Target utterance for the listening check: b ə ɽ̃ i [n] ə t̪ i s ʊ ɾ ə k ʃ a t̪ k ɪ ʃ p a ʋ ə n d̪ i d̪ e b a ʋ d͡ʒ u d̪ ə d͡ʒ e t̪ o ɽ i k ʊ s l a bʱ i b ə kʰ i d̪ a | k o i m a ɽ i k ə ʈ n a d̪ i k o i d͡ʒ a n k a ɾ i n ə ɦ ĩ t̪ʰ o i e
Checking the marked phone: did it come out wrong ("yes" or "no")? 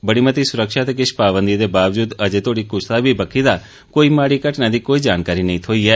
yes